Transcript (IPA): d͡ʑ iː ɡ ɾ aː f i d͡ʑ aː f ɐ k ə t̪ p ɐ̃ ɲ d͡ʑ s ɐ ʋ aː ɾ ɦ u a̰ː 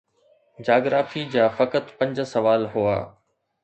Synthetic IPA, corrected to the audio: d͡ʑ aː ɡ ɾ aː f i d͡ʑ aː f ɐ k ə t̪ p ɐ̃ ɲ d͡ʑ s ɐ ʋ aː l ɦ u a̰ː